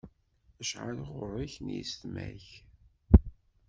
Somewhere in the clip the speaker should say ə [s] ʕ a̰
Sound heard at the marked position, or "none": ʃ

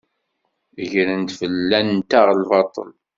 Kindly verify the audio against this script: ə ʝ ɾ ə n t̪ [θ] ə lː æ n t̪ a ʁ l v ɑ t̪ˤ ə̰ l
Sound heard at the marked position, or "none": f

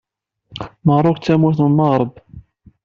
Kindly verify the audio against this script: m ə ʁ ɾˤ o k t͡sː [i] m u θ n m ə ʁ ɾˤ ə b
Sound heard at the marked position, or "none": æ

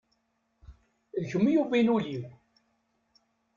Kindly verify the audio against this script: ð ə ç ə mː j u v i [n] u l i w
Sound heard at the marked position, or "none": n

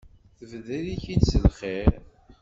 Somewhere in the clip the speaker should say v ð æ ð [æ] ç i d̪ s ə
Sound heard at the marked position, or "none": i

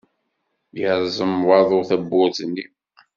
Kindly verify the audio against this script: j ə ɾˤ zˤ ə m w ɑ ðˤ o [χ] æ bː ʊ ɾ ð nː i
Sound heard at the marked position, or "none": θ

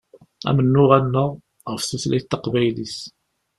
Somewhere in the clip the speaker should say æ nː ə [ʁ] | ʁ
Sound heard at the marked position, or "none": ʁ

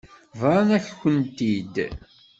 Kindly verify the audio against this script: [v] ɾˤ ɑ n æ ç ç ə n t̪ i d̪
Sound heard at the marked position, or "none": v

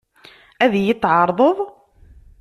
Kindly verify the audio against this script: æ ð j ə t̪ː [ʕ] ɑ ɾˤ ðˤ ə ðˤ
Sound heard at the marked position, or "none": ʕ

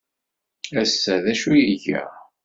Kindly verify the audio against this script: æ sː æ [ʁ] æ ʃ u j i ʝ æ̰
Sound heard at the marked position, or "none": ð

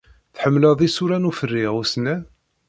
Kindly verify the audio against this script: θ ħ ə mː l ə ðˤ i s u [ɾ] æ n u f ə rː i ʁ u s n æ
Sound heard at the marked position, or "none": ɾ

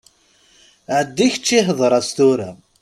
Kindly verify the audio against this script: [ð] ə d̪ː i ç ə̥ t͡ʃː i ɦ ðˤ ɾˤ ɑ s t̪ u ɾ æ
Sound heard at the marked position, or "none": ʕ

